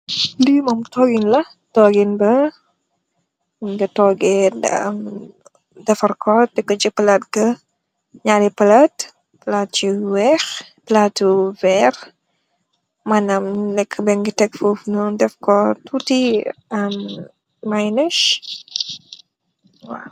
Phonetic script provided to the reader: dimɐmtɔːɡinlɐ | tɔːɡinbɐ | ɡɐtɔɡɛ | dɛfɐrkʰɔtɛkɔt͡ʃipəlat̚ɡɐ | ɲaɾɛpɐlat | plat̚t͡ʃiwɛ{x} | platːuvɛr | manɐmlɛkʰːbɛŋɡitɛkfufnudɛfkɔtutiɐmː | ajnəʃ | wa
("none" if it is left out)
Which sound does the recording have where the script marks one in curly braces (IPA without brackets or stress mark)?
x